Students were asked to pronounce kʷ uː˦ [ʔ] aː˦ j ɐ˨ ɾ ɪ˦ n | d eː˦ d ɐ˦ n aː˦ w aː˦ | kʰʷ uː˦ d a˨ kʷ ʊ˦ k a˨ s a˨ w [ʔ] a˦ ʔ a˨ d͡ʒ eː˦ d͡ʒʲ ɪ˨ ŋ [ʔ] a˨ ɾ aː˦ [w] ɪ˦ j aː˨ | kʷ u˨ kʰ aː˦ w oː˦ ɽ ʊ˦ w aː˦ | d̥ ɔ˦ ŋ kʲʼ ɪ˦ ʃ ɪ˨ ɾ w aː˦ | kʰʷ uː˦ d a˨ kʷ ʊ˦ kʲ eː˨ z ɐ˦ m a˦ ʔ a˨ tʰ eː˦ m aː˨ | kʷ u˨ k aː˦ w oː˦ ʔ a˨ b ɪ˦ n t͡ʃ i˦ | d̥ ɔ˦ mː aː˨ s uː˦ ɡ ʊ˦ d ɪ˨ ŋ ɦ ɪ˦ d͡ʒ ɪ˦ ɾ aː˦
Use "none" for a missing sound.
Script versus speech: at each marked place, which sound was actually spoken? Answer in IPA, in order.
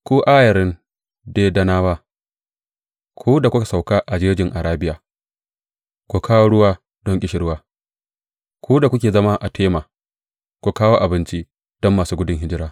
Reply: ʔ, k, ʔ, b

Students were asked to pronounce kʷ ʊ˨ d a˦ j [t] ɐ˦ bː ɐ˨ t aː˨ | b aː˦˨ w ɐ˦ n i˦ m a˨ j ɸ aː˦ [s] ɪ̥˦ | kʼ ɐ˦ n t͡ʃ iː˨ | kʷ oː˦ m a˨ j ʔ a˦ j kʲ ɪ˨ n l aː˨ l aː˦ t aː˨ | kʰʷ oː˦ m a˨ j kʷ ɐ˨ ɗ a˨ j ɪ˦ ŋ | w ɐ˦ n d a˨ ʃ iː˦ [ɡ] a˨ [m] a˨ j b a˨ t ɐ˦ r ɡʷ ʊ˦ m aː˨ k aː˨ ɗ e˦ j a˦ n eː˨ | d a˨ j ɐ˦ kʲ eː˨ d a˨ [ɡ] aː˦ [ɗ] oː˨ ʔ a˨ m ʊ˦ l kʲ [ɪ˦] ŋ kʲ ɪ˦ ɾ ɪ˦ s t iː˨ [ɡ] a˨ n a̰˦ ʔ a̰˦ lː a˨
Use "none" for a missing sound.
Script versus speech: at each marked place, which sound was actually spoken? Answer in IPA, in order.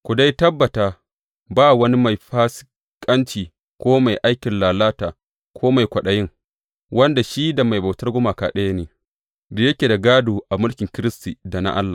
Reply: t, s, d, m, ɡ, d, ɪ˨, d

